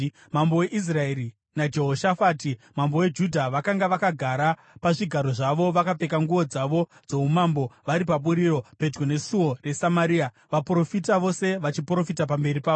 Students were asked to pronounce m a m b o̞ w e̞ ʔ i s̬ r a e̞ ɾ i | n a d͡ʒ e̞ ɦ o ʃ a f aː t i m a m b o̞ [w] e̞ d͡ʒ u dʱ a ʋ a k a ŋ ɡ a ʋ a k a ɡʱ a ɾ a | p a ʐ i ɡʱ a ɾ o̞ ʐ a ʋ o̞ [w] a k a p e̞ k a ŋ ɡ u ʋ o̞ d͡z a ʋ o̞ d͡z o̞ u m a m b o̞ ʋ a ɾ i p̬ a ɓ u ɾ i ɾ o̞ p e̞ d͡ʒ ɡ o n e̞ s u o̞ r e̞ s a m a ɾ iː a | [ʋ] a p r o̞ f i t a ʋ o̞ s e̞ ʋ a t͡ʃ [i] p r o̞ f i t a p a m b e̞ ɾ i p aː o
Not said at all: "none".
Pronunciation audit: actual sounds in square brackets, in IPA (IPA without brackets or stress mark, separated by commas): w, ʋ, ʋ, i